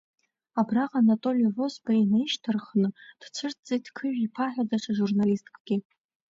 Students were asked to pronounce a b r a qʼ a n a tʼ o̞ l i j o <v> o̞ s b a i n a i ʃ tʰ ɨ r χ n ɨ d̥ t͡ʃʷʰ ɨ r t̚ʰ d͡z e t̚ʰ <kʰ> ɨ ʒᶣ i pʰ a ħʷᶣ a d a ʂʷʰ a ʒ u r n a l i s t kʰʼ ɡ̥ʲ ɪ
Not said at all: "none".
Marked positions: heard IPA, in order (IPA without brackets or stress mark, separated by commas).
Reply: v, kʰ